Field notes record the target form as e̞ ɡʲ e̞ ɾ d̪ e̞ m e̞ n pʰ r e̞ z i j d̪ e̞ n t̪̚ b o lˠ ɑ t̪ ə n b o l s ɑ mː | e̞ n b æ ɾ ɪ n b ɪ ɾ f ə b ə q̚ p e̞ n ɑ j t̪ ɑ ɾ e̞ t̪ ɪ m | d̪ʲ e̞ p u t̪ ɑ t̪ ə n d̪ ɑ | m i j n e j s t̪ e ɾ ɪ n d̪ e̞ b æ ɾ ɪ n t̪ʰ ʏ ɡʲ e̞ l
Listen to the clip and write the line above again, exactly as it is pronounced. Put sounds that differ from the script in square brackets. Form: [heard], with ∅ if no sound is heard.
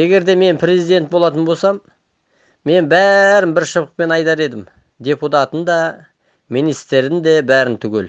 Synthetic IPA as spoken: e̞ ɡʲ e̞ ɾ d̪ e̞ m e̞ n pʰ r e̞ z i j d̪ e̞ n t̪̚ b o lˠ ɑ t̪ ə n b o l s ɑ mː | e̞ n b æ ɾ ɪ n b ɪ ɾ [ʃ] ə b ə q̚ p e̞ n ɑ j t̪ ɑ ɾ e̞ [d̪] ɪ m | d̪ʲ e̞ p u t̪ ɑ t̪ ə n d̪ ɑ | m i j n [i] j s t̪ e ɾ ɪ n d̪ e̞ b æ ɾ ɪ n t̪ʰ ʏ ɡʲ e̞ l